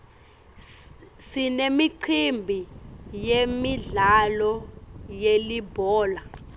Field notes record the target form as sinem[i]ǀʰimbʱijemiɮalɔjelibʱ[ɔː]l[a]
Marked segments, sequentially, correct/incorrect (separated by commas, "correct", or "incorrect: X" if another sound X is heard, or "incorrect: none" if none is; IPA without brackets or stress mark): correct, correct, correct